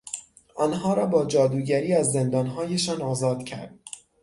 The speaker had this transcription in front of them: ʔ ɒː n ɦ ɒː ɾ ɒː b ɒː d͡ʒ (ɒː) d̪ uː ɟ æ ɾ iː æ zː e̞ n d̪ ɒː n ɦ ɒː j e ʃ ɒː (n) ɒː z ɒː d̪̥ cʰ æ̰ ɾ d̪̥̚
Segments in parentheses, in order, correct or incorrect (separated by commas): correct, correct